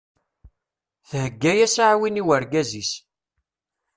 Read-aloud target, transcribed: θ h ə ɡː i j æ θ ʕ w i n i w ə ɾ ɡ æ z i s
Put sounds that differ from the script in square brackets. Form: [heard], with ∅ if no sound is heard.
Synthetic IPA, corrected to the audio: θ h ə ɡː [æ] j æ [s] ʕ w i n i w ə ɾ ɡ æ z i s